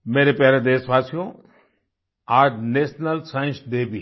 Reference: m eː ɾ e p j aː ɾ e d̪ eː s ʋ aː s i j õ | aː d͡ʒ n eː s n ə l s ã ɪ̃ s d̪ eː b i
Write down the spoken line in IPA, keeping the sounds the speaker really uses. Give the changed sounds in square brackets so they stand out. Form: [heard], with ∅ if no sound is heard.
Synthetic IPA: m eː ɾ e p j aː ɾ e d̪ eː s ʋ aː s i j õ | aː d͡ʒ n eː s n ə l s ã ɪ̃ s d̪ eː b i